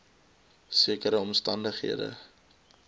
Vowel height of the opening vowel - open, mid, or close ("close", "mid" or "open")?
close